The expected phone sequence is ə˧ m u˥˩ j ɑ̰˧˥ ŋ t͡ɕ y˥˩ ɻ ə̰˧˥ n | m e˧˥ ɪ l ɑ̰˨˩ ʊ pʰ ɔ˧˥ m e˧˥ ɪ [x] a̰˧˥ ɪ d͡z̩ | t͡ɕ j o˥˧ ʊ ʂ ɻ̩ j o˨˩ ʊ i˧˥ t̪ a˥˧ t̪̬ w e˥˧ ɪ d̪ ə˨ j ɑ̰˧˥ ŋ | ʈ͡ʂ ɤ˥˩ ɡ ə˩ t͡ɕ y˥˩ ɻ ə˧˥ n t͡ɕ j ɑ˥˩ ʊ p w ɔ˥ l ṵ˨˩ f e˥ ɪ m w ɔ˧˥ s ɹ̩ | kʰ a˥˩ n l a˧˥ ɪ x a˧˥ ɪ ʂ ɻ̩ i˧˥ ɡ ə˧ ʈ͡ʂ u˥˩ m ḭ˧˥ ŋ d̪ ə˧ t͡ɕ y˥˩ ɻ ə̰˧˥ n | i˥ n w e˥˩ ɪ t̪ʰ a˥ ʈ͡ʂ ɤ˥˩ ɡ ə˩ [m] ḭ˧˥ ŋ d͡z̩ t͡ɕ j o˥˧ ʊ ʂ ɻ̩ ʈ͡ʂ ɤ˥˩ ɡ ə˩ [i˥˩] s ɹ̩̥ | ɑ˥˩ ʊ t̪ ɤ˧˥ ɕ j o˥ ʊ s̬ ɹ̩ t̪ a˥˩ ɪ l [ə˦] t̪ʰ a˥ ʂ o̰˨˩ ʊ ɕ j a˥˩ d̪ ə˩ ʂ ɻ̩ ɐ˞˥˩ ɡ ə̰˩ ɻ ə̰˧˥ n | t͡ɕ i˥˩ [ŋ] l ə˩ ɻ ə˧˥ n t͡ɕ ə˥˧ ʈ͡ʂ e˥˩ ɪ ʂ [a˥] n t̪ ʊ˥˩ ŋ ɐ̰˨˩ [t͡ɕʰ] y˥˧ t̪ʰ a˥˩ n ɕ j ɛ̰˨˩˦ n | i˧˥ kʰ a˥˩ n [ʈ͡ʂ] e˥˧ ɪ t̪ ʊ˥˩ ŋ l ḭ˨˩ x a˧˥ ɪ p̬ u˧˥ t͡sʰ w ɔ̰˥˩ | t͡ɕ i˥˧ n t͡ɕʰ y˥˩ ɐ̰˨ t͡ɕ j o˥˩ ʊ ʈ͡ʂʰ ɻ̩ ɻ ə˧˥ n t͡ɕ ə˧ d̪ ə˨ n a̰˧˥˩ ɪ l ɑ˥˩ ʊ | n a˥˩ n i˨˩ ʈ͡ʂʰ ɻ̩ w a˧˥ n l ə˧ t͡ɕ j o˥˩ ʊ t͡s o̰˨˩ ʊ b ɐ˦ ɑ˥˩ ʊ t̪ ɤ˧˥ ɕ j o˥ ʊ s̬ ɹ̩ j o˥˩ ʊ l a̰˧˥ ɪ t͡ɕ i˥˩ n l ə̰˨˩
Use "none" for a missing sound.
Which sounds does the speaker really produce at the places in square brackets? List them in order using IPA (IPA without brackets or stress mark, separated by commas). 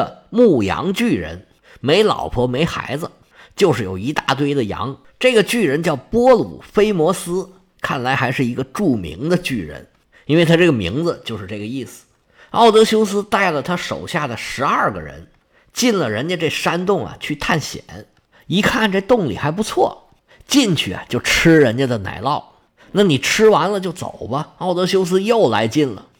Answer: x, m, i˥˩, ə˩, n, a˥, t͡ɕʰ, ʈ͡ʂ